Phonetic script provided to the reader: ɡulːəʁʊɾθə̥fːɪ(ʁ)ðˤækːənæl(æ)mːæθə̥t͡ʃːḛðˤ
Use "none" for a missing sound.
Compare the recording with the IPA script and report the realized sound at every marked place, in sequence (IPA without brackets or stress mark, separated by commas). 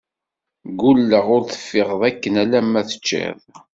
ʁ, æ